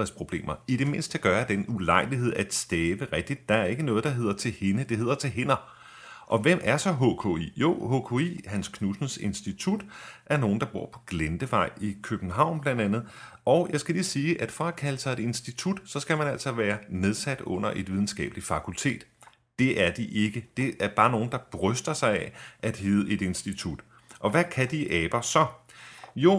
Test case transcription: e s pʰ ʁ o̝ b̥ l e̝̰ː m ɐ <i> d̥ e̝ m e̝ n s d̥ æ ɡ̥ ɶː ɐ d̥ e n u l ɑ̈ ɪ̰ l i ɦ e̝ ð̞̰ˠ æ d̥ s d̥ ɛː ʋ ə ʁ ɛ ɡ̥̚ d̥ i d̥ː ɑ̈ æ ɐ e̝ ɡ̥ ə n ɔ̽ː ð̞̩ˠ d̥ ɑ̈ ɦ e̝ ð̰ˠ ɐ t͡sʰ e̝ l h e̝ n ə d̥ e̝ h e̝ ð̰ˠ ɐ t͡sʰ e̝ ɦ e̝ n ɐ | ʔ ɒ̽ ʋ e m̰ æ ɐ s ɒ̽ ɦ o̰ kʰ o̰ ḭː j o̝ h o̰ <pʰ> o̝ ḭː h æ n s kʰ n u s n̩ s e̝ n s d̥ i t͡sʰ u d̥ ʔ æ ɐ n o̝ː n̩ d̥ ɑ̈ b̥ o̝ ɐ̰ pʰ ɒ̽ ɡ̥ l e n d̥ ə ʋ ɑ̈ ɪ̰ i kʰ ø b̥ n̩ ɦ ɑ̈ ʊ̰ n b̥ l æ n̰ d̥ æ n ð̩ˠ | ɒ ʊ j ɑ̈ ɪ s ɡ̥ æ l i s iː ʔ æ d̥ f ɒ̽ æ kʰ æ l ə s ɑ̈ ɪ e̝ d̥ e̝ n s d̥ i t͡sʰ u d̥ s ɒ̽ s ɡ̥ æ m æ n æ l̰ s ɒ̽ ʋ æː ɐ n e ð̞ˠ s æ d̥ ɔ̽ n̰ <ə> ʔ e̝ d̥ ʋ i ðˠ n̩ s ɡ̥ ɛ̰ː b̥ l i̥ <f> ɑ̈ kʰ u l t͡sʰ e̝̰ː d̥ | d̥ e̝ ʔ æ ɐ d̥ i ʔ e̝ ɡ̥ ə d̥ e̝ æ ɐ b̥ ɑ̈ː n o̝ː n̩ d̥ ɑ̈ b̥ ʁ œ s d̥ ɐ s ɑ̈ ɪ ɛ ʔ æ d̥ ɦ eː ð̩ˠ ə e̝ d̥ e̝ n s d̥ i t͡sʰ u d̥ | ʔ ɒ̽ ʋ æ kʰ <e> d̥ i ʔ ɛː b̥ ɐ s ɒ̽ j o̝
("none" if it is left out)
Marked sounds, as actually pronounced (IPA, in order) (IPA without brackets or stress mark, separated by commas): i, kʰ, ɐ, f, æ